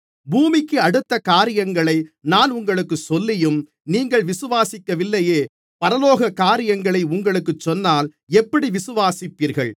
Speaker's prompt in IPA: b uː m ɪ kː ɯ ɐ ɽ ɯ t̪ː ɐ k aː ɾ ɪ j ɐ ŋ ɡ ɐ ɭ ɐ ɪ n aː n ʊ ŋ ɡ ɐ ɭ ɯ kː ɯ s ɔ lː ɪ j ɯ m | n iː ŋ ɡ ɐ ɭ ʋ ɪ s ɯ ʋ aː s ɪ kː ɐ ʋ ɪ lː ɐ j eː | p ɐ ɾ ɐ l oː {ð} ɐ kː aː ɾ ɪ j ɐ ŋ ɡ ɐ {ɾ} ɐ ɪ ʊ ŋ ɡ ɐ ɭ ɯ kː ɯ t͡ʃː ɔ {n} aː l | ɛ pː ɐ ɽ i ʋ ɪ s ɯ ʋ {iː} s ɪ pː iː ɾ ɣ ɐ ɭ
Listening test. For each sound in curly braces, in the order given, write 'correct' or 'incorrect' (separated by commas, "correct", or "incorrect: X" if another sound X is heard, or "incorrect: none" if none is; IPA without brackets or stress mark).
incorrect: ɣ, incorrect: ɭ, incorrect: nː, incorrect: aː